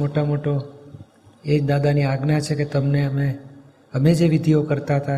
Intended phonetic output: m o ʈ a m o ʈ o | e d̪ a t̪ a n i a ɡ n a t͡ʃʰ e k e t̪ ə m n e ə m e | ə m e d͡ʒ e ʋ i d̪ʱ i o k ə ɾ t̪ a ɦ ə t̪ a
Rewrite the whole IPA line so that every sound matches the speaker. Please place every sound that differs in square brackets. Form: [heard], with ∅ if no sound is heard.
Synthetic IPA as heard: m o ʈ a m o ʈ o | e d̪ a [d̪] a n i a ɡ n a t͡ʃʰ e k e t̪ ə m n e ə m e | ə m e d͡ʒ e ʋ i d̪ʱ i o k ə ɾ t̪ a ɦ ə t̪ a